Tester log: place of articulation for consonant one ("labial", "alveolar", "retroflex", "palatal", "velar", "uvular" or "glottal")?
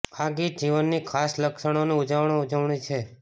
velar